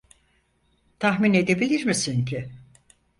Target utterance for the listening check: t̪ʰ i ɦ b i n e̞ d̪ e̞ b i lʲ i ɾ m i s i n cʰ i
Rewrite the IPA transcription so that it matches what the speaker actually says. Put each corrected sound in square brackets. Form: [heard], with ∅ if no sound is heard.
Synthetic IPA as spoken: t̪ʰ [a] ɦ [m] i n e̞ d̪ e̞ b i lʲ i ɾ m i s i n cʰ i